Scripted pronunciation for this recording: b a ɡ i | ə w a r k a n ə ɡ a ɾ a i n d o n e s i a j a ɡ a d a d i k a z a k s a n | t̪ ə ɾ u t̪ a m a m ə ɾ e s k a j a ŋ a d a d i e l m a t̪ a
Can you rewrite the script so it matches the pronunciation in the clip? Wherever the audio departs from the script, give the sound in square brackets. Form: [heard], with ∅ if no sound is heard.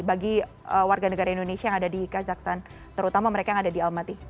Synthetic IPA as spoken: b a ɡ i | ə w a r [ɡ] a n ə ɡ a ɾ a i n d o n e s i a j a [ŋ] a d a d i k a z a k s a n | t̪ ə ɾ u t̪ a m a m ə ɾ e [∅] k a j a ŋ a d a d i [a] l m a t̪ [i]

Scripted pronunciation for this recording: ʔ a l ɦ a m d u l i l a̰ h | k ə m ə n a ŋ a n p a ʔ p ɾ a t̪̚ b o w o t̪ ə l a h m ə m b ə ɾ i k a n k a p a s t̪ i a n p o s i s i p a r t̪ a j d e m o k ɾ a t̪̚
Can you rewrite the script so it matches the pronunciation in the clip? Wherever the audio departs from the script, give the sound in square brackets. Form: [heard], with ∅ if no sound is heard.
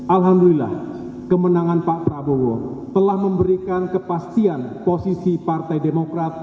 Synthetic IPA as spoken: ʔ a l ɦ a m d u l i l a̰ h | k ə m ə n a ŋ a n p a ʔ p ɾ a [∅] b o w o t̪ ə l a h m ə m b ə ɾ i k a n k [ə] p a s t̪ i a n p o s i s i p a r t̪ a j d e m o k ɾ a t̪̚

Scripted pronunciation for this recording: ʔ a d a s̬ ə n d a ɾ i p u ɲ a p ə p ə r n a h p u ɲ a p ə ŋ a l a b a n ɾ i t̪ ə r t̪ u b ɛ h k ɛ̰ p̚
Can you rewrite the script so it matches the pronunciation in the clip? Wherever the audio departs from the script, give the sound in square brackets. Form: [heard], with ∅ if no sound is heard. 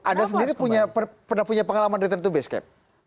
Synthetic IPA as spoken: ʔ a d a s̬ ə n d [i] ɾ i p u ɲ a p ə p ə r n a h p u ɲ a p ə ŋ a l a [m] a n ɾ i t̪ ə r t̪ u b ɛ [s] k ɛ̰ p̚

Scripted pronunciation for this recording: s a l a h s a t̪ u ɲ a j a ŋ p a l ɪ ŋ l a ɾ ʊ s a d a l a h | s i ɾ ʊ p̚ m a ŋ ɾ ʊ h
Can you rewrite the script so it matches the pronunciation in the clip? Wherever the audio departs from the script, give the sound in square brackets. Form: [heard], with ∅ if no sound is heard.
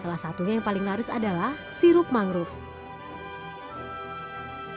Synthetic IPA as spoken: s a l a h s a t̪ u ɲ a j a ŋ p a l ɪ ŋ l a ɾ ʊ s a d a l a h | s i ɾ ʊ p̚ m a ŋ ɾ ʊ [f]

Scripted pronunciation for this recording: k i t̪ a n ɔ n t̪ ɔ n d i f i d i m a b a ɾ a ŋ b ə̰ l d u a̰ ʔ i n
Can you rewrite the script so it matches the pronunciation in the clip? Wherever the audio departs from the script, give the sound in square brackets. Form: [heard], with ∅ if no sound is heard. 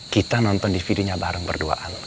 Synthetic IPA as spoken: k i t̪ a n ɔ n t̪ ɔ n d i f i d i [ɲ] a b a ɾ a ŋ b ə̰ [r] d u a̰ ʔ [a] n

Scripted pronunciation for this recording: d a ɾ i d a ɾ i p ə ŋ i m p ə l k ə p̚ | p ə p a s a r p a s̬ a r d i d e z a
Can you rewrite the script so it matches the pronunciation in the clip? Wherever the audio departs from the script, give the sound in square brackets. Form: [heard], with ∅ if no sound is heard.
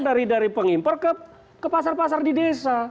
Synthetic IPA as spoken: d a ɾ i d a ɾ i p ə ŋ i m p ə [r] k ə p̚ | [k] ə p a s a r p a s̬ a r d i d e [s] a

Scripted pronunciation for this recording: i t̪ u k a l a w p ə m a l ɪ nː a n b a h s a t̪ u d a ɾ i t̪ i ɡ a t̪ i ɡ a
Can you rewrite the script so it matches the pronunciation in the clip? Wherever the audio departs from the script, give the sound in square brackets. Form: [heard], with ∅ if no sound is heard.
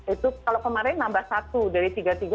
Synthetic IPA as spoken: i t̪ u k a l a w [k] ə m a [ɾ] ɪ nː a [m] b a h s a t̪ u d a ɾ i t̪ i ɡ a t̪ i ɡ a

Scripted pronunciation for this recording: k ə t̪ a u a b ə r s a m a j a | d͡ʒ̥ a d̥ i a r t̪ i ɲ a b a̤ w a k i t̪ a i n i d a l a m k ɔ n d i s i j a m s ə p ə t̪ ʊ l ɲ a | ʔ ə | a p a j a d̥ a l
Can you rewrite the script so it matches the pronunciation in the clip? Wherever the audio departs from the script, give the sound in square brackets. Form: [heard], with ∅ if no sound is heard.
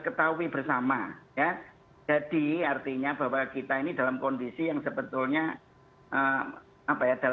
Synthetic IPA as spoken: k ə t̪ a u [i] b ə r s a m a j a | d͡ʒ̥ a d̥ i a r t̪ i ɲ a b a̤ w a k i t̪ a i n i d a l a m k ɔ n d i s i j a [ŋ] s ə [b] ə t̪ ʊ l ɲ a | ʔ ə | a p a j a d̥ a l

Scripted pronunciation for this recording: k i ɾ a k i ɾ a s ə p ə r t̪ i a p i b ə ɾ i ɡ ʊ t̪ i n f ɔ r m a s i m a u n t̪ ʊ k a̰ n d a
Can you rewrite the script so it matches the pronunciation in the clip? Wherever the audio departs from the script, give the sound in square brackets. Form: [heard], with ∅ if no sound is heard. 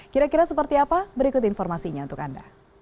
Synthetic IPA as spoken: k i ɾ a k i ɾ a s ə p ə r t̪ i a p [a] b ə ɾ i [k] ʊ t̪ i n f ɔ r m a s i [ɲ] a u n t̪ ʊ k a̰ n d a

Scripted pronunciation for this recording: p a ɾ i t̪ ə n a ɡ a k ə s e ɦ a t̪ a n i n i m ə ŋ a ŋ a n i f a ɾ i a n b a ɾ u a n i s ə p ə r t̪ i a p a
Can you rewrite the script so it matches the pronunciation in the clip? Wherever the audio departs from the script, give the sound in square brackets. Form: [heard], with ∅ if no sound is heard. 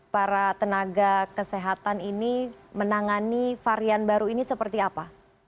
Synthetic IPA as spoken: p a ɾ [a] t̪ ə n a ɡ a k ə s e ɦ a t̪ a n i n i m ə [n] a ŋ a n i f a ɾ i a n b a ɾ u [i] n i s ə p ə r t̪ i a p a

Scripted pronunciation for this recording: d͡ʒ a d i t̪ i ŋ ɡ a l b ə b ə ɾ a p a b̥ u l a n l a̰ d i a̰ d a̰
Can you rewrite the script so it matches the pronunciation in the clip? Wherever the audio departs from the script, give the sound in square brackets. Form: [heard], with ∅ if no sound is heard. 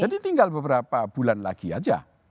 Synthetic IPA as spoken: d͡ʒ a d i t̪ i ŋ ɡ a l b ə b ə ɾ a p a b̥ u l a n l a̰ [ɡ] i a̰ [d͡ʒ] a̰

